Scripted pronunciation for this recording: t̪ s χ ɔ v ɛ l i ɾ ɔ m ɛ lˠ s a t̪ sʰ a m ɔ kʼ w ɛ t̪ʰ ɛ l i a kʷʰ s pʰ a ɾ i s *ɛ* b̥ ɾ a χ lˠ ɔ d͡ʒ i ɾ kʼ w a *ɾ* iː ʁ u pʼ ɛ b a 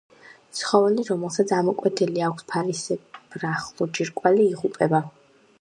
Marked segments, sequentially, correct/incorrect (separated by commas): correct, incorrect